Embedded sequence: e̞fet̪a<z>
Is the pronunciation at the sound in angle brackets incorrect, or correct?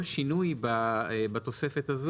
correct